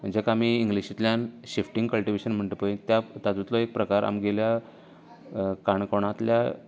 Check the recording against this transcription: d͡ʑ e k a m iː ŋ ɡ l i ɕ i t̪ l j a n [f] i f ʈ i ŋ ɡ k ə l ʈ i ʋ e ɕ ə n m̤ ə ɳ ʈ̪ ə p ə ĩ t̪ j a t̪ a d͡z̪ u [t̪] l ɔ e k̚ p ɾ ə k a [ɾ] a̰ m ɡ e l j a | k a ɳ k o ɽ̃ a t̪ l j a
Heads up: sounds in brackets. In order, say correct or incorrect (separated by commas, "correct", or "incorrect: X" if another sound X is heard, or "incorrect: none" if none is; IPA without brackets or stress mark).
incorrect: ɕ, correct, correct